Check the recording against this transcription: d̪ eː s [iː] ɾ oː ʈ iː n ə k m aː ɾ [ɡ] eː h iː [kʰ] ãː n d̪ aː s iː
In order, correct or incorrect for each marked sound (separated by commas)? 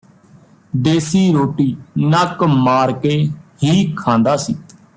correct, incorrect, correct